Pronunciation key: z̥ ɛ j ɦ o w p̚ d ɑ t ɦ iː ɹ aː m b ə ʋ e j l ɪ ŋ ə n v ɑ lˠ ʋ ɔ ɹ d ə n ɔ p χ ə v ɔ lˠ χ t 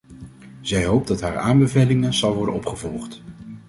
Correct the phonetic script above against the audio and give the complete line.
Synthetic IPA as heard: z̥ ɛ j ɦ o w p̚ d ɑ t ɦ aː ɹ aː m b ə v e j l ɪ ŋ ə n z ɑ lˠ ʋ ɔ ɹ d ə n ɔ p χ ə v ɔ lˠ χ t